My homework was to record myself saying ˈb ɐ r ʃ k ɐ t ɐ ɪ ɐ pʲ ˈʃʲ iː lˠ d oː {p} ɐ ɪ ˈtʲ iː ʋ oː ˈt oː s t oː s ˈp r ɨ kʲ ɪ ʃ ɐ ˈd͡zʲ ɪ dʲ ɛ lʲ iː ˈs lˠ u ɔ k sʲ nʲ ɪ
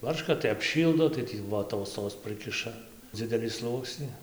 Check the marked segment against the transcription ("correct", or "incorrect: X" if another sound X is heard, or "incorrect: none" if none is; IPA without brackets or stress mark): incorrect: t